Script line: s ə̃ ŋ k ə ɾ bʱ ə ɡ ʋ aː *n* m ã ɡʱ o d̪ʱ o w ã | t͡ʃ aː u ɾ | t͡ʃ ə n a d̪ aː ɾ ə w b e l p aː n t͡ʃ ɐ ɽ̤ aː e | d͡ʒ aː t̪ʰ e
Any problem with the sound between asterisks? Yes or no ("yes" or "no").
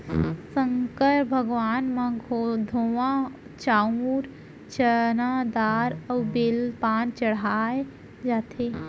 no